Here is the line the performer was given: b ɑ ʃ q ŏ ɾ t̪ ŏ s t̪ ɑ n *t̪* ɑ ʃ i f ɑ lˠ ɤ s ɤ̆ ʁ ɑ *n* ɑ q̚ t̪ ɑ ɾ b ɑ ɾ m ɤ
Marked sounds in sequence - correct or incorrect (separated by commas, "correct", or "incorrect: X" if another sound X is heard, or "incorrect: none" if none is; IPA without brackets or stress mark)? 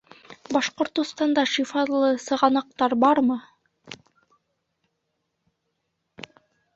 incorrect: d̪, correct